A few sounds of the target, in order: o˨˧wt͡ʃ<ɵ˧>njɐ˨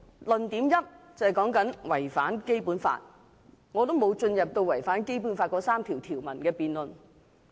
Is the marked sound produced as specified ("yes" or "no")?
yes